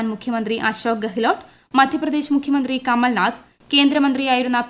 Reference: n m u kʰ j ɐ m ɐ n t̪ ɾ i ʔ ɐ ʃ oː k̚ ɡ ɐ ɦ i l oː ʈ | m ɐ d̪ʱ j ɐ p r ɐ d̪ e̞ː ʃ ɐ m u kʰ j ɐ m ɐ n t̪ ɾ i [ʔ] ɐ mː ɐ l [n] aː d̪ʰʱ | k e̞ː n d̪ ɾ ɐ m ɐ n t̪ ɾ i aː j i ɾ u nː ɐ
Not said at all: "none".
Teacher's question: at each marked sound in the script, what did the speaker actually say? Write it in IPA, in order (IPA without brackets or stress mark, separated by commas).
k, n